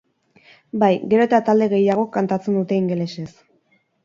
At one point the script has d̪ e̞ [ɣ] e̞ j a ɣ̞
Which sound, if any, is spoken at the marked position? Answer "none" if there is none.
ɣ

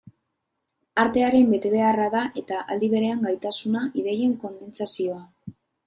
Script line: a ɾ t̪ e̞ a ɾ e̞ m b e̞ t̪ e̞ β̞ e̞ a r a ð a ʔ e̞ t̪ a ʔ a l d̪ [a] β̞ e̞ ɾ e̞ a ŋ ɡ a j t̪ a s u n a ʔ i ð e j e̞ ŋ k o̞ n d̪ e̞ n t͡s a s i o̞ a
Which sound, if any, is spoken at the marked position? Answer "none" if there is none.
i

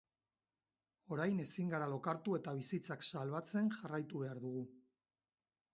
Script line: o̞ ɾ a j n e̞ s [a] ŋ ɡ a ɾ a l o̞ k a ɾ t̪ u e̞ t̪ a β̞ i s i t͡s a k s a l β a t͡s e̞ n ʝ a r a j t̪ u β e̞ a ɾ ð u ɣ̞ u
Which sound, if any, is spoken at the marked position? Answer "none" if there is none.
i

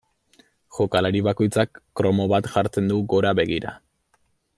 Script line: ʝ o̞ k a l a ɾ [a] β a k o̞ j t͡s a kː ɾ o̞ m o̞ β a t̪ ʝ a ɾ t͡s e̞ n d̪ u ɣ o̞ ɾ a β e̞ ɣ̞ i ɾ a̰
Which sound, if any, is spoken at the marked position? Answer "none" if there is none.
i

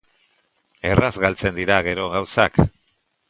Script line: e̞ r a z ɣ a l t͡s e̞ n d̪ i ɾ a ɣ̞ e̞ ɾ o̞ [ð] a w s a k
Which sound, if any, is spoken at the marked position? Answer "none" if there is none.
ɣ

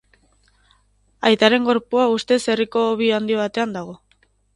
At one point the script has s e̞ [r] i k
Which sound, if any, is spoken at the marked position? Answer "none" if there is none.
r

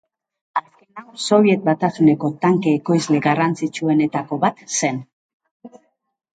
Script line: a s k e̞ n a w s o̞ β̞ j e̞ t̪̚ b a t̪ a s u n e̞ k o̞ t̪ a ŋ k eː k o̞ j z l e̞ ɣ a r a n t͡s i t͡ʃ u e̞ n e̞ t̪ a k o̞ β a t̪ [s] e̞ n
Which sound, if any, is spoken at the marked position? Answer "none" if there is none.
s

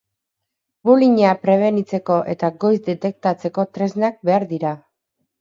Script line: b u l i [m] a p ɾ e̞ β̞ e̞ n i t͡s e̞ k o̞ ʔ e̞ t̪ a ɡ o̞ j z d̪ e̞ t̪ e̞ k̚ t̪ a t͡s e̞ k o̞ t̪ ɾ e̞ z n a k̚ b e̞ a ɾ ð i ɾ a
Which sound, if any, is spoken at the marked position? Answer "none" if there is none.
ɲ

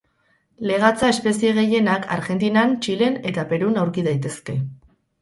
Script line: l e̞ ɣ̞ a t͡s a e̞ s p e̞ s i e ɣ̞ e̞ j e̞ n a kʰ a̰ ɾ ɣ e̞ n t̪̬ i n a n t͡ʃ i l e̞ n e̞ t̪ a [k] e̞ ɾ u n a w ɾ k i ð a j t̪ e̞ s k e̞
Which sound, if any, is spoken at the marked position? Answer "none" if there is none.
p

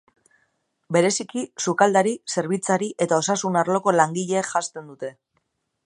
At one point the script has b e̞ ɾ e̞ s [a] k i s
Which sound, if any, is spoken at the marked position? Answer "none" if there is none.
i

